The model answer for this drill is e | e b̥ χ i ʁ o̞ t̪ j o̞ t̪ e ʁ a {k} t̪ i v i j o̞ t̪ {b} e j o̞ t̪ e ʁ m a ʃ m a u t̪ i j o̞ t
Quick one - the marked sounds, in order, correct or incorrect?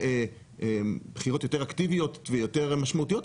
correct, incorrect: v

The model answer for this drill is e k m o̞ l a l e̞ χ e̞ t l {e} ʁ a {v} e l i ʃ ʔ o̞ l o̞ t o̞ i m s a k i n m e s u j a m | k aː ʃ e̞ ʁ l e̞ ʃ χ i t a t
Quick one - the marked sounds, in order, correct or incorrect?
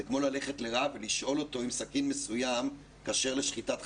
correct, correct

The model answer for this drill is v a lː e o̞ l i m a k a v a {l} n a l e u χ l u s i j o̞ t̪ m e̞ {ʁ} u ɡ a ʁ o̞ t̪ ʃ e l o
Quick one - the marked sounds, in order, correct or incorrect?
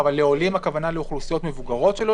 incorrect: none, incorrect: v

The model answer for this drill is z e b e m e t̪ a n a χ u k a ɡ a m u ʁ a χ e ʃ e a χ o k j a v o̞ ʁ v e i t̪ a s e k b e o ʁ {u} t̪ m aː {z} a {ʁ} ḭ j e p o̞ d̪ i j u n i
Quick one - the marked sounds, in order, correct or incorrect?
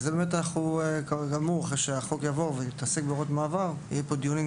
incorrect: o, incorrect: v, correct

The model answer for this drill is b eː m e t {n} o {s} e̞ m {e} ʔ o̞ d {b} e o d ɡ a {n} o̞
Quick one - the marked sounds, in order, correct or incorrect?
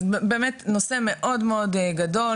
correct, correct, correct, incorrect: m, incorrect: d

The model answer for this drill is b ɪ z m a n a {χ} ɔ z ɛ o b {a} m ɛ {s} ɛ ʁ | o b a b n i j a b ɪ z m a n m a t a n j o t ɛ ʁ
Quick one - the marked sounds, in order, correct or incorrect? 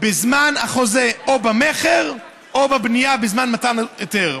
correct, correct, incorrect: χ

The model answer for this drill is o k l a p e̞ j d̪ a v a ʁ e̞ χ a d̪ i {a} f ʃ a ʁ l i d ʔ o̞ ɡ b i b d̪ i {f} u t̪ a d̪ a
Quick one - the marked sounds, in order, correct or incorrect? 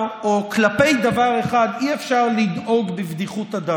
incorrect: e, incorrect: χ

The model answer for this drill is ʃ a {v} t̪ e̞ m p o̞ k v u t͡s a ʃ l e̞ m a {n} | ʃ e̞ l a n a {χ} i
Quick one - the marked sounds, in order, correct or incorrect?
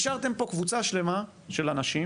incorrect: ʁ, incorrect: none, incorrect: ʃ

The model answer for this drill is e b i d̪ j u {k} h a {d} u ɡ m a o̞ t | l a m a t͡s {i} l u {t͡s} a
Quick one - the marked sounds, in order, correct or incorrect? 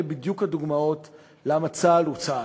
correct, correct, incorrect: a, correct

